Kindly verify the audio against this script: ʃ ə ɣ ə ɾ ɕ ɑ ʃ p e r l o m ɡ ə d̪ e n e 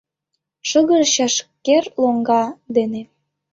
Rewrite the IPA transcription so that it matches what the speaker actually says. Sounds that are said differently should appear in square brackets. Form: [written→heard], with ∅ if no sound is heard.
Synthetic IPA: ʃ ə ɣ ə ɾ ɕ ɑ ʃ [p→k] e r l o [m→ŋ] ɡ [ə→ɑ] d̪ e n e